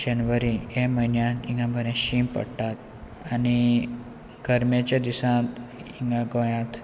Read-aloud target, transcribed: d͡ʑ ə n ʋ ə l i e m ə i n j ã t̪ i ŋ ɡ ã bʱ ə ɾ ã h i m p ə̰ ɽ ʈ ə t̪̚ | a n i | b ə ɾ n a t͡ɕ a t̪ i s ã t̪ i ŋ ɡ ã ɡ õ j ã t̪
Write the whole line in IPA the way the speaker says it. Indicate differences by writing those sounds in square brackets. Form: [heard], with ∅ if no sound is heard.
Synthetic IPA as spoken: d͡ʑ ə n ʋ ə [ɾ] i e m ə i n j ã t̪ i ŋ ɡ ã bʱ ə ɾ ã [ɕ] i m p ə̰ ɽ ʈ [a] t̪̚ | a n i | [ɡ] ə ɾ [m] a t͡ɕ a [d̪] i s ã t̪ i ŋ ɡ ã ɡ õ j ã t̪